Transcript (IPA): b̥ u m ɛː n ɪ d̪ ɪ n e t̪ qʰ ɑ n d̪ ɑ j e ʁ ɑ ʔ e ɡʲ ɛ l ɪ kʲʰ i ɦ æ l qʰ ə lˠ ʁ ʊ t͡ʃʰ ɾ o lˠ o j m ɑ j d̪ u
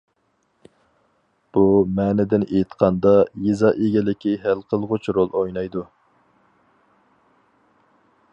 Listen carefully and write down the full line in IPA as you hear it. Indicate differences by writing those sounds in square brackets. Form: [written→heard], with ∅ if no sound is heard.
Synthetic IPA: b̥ u m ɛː n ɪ d̪ ɪ n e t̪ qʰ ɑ n d̪ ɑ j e [ʁ→z] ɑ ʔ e ɡʲ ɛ l ɪ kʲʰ i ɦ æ l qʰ ə lˠ ʁ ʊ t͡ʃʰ ɾ o lˠ o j [m→n] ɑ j d̪ u